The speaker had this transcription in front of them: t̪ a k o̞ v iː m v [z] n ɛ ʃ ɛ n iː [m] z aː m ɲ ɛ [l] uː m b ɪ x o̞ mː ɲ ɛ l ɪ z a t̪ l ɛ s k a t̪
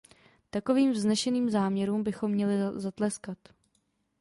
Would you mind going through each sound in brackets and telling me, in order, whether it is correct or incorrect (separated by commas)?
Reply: correct, correct, incorrect